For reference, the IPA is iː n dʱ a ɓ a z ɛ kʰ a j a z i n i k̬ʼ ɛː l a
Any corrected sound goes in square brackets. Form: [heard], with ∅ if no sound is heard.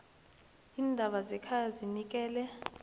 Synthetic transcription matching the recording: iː n dʱ a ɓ a z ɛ kʰ a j a z i n i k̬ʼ ɛː l [ɛ]

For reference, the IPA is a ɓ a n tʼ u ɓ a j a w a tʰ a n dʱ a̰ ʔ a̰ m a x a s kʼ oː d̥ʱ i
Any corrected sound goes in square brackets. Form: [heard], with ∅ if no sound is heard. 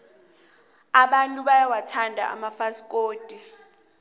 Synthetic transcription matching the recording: a ɓ a n tʼ u ɓ a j a w a tʰ a n dʱ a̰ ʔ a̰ m a [f] a s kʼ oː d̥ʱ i

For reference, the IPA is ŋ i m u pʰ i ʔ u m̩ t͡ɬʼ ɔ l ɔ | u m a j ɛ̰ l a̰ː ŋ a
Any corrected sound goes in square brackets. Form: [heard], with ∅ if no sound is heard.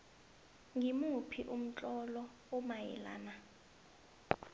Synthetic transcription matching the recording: ŋ i m u pʰ i ʔ u m̩ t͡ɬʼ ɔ l ɔ | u m a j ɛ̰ l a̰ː [n] a

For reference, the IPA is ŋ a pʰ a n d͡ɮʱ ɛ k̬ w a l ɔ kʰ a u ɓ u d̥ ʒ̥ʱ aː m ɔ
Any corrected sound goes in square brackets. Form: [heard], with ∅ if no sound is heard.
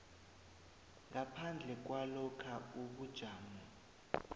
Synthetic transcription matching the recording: ŋ a pʰ a n d͡ɮʱ ɛ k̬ w a l ɔ kʰ a u ɓ u d̥ ʒ̥ʱ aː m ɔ

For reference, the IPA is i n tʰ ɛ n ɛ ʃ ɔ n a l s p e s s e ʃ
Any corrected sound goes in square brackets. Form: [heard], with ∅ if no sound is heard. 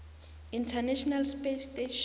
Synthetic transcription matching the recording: i n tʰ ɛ n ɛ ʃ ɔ n a l s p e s [t] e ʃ

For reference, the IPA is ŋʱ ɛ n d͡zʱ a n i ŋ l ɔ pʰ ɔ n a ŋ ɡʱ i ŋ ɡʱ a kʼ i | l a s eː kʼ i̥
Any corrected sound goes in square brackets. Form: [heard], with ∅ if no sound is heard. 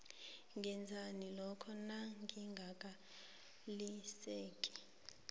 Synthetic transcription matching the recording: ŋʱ ɛ n d͡zʱ a n i [∅] l ɔ [kʰ] ɔ n a ŋ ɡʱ i ŋ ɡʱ a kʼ [a] | l [i] s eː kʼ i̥

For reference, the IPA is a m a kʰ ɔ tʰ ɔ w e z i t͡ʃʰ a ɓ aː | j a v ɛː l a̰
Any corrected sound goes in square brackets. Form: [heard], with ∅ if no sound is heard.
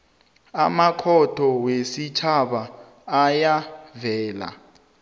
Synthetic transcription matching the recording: a m a kʰ ɔ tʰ ɔ w e [s] i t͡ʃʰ a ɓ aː | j a v ɛː l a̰

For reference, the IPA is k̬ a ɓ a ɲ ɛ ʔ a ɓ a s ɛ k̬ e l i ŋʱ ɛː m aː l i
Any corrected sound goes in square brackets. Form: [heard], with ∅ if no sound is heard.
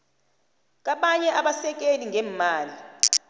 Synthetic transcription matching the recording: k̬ a ɓ a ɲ ɛ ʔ a ɓ a s ɛ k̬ e l i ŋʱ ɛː m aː l i

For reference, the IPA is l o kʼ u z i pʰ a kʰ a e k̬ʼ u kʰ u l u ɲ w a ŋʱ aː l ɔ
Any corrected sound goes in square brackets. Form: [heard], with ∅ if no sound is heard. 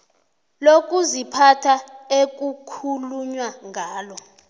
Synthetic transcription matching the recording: l o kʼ u z i pʰ a [tʰ] a e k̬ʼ u kʰ u l u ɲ w a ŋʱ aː l ɔ

